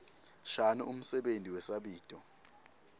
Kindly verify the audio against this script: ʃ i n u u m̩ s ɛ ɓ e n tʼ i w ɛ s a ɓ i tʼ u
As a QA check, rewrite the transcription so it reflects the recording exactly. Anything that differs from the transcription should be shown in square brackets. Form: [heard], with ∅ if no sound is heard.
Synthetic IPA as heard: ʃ [a] n u u m̩ s ɛ ɓ e n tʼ i w ɛ s a ɓ [iː] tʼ [ɔ]